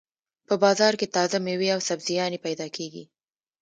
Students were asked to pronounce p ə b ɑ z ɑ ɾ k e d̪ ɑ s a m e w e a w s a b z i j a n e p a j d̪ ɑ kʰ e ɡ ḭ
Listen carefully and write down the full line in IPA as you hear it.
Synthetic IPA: p ə b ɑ z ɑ ɾ k e t̪ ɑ z a m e w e a w s a b z i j ɑ n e p a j d̪ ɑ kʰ e ɡ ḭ